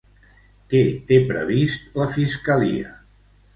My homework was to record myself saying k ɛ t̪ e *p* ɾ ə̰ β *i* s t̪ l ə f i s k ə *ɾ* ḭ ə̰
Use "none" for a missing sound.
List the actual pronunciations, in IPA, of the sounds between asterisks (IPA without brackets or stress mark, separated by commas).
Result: p, i, l